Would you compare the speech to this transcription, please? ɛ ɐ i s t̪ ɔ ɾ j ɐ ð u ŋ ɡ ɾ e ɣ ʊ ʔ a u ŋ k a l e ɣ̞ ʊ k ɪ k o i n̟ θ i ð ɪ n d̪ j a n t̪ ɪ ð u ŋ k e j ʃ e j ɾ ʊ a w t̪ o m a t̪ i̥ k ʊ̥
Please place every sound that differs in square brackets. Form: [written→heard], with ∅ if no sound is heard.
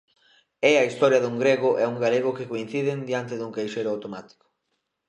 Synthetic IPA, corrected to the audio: ɛ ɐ i s t̪ ɔ ɾ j ɐ ð u ŋ ɡ ɾ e ɣ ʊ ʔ [a→ɛ] u ŋ [k→ɡ] a l e ɣ̞ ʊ k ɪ k o i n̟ θ i ð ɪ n d̪ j a n t̪ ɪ ð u ŋ k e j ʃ e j ɾ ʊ a w t̪ o m a t̪ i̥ k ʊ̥